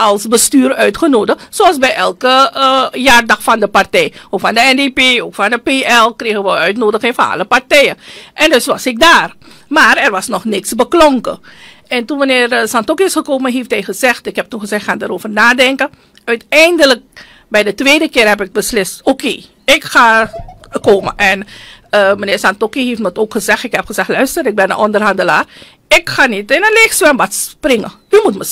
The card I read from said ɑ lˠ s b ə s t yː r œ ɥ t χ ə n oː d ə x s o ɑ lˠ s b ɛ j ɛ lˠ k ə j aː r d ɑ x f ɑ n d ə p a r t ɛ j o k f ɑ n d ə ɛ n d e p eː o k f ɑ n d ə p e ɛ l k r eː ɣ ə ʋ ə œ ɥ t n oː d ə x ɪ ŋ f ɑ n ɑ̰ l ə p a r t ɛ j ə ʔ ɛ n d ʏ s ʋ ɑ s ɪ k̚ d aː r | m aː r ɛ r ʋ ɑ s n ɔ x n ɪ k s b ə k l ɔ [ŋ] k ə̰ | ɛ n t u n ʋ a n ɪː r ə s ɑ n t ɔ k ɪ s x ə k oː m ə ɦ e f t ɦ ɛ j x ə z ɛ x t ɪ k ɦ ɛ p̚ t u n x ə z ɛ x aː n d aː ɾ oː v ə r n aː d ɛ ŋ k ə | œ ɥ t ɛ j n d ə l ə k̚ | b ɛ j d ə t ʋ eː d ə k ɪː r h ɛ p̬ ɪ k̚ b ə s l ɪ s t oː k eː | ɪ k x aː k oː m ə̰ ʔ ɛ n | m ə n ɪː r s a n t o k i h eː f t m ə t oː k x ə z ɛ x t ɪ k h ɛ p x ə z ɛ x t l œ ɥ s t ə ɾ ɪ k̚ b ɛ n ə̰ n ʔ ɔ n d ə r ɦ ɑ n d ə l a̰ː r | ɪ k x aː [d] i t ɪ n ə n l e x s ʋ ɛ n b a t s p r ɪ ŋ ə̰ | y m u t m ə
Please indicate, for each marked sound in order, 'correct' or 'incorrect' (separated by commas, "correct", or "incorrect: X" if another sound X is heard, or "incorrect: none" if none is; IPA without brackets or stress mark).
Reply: correct, incorrect: n